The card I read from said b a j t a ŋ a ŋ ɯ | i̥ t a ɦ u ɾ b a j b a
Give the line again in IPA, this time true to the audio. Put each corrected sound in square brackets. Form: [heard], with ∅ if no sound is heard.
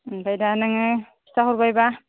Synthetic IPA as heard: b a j [d] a [n] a ŋ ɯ | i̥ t a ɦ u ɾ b a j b a